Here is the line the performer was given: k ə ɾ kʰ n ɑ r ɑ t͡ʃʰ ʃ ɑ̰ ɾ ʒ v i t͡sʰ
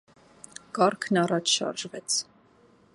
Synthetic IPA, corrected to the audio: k ɑ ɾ kʰ n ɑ r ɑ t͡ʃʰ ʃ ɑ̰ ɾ ʒ v ɛ t͡sʰ